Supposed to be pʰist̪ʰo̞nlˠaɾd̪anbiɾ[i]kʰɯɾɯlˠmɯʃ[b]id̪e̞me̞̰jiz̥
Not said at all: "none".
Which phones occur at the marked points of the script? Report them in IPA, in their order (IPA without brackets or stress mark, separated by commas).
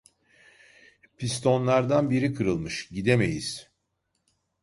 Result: i, ɟ